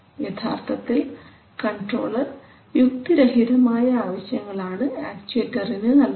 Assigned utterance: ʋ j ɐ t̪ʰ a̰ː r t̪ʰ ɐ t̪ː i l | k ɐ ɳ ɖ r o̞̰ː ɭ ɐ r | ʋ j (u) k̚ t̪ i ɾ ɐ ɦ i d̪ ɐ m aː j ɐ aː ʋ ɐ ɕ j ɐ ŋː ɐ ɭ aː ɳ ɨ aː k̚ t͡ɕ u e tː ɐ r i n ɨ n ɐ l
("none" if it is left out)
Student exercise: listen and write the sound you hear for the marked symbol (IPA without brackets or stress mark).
u